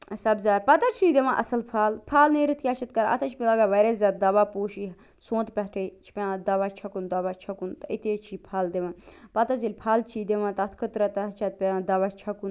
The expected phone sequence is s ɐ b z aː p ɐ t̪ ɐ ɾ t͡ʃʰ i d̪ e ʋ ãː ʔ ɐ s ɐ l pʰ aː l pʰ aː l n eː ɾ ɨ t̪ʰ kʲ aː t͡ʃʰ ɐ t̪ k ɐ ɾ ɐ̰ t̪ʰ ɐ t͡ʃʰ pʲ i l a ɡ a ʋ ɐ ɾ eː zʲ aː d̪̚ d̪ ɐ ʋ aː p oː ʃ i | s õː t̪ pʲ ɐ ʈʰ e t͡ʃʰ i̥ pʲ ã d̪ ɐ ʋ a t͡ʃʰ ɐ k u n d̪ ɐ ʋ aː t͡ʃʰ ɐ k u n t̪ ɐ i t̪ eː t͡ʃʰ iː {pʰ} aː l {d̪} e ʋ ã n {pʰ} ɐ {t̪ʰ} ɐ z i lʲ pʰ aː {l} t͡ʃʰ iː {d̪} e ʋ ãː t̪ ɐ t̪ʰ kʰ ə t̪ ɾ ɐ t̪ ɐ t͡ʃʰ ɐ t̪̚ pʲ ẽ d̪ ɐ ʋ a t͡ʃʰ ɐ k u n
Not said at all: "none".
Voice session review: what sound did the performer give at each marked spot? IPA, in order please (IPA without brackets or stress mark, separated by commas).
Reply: pʰ, d̪, p, t̪, l, d̪